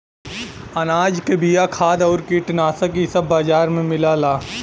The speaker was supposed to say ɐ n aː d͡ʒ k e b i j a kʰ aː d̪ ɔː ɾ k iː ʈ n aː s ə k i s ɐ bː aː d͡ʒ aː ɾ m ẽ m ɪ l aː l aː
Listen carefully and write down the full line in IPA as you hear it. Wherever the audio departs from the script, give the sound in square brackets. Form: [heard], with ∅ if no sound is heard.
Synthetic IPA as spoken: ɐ n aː d͡ʒ k e b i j a kʰ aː d̪ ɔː ɾ k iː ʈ n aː s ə k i s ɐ bː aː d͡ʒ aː ɾ m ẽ m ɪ l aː l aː

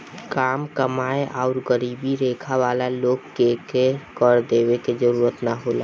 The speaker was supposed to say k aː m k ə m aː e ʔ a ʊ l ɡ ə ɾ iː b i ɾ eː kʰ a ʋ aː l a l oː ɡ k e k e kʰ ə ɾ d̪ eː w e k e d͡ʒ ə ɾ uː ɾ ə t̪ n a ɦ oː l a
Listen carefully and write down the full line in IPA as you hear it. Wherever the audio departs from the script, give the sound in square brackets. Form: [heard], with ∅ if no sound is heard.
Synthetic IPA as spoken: k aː m k ə m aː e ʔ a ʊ [ɾ] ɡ ə ɾ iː b i ɾ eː kʰ a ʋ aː l a l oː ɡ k e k e [k] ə ɾ d̪ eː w e k e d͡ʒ ə ɾ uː ɾ ə t̪ n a ɦ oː l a

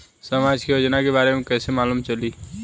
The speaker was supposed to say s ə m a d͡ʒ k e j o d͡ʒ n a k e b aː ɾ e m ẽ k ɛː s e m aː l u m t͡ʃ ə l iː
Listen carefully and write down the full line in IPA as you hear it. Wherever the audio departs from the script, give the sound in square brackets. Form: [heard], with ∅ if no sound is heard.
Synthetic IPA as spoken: s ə m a d͡ʒ k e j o d͡ʒ n a k e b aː ɾ e m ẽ k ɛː s e m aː l u m t͡ʃ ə l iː

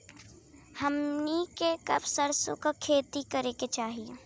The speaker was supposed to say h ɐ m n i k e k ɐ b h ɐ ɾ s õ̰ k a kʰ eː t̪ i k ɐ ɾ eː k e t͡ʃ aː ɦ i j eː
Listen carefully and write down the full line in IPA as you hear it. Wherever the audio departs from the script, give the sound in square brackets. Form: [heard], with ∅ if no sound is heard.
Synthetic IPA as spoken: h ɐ m n i k e k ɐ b [s] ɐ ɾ s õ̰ k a kʰ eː t̪ i k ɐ ɾ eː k e t͡ʃ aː ɦ i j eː

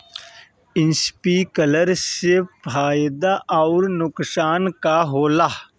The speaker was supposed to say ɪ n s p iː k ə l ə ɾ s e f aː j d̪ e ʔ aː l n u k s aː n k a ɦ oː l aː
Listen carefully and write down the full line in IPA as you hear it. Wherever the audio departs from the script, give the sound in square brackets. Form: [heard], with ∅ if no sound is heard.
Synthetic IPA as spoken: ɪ n s p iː k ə l ə ɾ s e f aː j d̪ [a] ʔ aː [ɾ] n [ʊ] k s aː n k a ɦ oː l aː

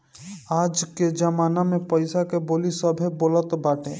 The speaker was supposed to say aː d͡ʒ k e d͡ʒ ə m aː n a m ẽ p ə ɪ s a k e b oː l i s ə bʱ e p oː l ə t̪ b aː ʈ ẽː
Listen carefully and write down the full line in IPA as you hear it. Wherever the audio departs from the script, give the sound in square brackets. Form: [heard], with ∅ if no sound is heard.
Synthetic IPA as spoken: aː d͡ʒ k e d͡ʒ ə m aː n a m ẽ p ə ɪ s a k e b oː l i s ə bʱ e [b] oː l ə t̪ b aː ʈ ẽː

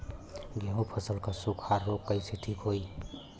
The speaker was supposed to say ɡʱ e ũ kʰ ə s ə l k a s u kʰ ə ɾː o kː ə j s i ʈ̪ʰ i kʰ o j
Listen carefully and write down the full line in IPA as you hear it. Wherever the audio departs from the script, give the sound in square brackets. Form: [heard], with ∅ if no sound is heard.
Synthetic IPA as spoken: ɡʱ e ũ [pʰ] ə s ə l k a s u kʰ [a] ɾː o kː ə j s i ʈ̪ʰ i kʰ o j

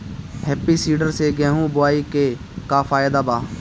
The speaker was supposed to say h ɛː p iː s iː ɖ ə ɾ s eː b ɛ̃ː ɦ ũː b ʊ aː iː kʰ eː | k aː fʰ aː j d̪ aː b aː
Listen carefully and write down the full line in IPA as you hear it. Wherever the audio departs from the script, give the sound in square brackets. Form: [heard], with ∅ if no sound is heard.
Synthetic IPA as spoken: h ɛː p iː s iː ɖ ə ɾ s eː [ɡ] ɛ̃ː ɦ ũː b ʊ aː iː [k] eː | k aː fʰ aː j d̪ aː b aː

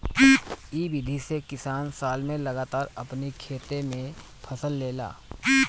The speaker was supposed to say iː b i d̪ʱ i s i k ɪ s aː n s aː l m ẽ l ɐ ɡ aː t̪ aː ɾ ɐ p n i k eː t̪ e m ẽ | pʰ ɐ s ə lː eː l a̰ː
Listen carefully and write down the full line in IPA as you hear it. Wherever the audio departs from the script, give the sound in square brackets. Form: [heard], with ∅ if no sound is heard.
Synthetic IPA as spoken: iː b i d̪ʱ i s [e] k ɪ s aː n s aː l m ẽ l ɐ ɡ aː t̪ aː ɾ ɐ p n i [kʰ] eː t̪ e m ẽ | pʰ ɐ s ə lː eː l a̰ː

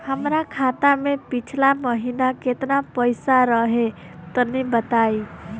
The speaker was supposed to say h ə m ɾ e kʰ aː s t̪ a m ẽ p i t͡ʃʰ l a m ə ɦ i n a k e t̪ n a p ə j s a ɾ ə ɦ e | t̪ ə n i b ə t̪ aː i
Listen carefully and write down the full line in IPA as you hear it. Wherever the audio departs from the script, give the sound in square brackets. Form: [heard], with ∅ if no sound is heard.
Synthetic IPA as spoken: h ə m ɾ [a] kʰ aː [∅] t̪ a m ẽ p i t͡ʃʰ l a m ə ɦ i n a k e t̪ n a p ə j s a ɾ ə ɦ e | t̪ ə n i b ə t̪ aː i

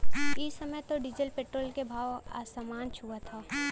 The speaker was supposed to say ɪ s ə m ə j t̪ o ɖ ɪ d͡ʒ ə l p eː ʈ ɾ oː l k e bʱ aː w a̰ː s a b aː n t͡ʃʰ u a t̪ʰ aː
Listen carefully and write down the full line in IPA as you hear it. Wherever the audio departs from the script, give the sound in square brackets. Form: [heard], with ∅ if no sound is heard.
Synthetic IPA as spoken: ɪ s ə m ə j t̪ o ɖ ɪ d͡ʒ ə l p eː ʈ ɾ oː l k e bʱ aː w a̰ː s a [m] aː n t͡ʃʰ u a t̪ʰ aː

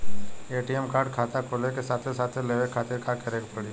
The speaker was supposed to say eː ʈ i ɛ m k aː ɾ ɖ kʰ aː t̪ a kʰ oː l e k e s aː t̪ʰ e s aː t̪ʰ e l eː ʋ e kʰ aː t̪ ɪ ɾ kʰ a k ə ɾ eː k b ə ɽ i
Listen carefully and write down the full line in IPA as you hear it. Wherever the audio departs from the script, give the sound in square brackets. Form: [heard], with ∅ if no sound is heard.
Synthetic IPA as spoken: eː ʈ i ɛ m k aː ɾ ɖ kʰ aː t̪ a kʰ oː l e k e s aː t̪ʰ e s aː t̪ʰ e l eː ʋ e kʰ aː t̪ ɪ ɾ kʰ a k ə ɾ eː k [p] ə ɽ i

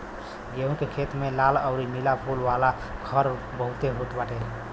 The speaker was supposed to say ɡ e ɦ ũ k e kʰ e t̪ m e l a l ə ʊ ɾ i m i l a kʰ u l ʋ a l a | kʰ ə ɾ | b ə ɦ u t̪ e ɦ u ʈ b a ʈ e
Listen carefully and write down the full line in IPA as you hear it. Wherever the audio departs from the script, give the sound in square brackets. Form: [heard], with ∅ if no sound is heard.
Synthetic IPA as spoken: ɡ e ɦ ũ k e kʰ e t̪ m e l a l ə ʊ ɾ i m i l a [pʰ] u l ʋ a l a | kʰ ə ɾ | b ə ɦ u t̪ e ɦ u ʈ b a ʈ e

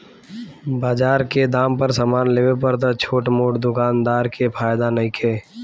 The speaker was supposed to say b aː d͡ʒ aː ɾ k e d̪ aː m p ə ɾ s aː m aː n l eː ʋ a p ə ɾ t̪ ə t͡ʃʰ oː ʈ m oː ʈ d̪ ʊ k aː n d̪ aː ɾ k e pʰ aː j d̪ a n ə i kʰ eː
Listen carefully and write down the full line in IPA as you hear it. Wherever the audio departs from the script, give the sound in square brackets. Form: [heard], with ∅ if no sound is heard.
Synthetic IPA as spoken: b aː d͡ʒ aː ɾ k e d̪ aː m p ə ɾ s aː m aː n l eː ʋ [e] p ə ɾ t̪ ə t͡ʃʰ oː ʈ m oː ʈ d̪ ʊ k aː n d̪ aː ɾ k e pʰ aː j d̪ a n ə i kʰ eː

